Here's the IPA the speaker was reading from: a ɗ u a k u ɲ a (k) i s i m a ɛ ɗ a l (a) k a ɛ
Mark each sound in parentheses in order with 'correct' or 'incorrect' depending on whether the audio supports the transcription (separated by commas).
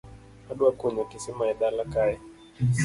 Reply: correct, correct